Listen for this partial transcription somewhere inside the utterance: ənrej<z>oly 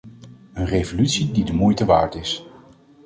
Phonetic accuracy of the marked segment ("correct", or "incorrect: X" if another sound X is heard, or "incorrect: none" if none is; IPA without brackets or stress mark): incorrect: v